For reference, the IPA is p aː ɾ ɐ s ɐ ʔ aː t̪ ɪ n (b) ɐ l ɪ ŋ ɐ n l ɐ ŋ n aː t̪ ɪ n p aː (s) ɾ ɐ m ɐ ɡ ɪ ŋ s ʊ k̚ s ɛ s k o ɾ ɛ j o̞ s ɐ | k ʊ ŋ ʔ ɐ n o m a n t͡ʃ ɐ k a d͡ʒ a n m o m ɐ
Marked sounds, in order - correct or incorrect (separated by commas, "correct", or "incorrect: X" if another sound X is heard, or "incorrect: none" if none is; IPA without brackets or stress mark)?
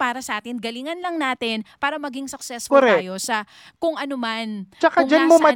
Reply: incorrect: ɡ, incorrect: none